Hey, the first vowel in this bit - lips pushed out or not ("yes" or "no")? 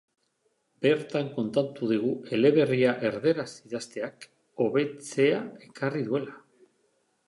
no